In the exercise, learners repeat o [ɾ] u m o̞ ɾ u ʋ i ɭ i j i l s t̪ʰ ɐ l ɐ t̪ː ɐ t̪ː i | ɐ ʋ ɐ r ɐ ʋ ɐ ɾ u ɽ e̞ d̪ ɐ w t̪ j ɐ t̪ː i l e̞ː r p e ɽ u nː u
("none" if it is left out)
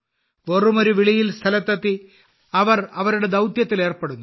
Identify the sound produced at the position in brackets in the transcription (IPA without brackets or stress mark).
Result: r